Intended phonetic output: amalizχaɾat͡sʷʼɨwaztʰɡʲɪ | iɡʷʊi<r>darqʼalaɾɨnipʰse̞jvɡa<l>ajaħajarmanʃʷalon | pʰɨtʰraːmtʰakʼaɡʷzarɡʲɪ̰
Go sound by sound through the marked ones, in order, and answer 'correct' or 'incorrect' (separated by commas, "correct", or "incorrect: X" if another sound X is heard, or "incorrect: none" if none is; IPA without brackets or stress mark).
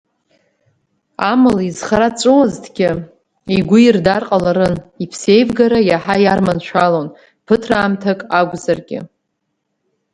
correct, incorrect: ɾ